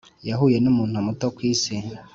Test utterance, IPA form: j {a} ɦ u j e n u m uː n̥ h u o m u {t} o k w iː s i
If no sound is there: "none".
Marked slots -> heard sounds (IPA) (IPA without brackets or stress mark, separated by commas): a, t